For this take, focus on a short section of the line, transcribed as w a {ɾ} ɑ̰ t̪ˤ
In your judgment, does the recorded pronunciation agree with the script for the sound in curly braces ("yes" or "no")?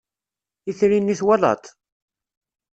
no